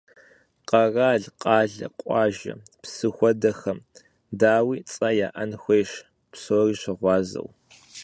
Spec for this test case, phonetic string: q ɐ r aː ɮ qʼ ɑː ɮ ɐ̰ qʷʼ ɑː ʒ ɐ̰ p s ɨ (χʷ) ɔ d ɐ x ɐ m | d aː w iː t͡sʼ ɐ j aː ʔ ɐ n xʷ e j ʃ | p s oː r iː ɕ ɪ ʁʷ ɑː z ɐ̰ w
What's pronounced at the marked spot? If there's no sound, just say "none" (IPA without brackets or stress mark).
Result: xʷ